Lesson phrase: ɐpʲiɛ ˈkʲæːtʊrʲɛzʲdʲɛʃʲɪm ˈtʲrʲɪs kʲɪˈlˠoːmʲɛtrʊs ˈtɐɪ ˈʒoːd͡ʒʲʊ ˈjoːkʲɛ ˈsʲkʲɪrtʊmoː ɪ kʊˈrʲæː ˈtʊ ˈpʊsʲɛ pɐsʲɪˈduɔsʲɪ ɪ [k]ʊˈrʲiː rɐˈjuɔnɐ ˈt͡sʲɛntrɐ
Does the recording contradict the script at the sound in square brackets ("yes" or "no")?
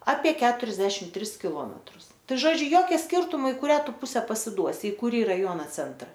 no